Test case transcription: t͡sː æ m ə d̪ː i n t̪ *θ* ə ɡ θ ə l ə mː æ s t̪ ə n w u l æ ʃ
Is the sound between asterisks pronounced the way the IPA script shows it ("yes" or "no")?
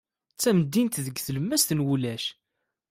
no